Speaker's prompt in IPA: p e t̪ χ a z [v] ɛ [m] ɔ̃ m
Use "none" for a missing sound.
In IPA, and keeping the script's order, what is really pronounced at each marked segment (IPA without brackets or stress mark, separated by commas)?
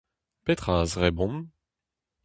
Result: ʁ, b